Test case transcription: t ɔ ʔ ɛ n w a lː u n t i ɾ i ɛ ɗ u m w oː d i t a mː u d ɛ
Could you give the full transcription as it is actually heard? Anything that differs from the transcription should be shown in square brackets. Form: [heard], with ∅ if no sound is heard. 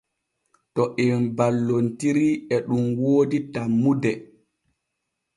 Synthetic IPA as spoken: t ɔ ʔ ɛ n [b] a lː [o] n t i ɾ i ɛ ɗ u m w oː d i t a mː u d ɛ